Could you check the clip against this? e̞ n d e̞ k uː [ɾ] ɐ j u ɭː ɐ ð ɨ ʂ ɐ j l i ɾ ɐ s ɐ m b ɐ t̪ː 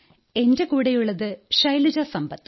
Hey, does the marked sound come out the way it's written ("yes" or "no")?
no